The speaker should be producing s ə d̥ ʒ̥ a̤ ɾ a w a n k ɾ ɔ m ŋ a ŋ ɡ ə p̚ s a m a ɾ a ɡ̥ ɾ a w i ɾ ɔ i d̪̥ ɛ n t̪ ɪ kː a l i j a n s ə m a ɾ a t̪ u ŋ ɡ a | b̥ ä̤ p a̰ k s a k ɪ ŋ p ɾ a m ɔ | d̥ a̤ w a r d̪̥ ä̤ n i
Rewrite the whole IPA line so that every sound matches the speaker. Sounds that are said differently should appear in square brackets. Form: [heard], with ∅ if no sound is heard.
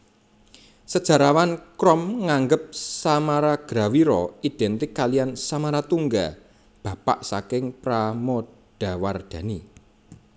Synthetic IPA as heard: s ə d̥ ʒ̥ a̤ ɾ a w a n k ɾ ɔ m ŋ a ŋ ɡ ə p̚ s a m a ɾ a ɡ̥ ɾ a w i ɾ ɔ i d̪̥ ɛ n t̪ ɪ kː a l i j a n s [a] m a ɾ a t̪ u ŋ ɡ a | b̥ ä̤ p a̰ [ʔ] s a k ɪ ŋ p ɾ a m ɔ | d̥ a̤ w a r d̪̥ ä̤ n i